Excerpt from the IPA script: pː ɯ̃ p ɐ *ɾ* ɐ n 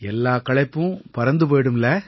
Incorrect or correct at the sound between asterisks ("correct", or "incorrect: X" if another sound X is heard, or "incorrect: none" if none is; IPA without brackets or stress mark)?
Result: correct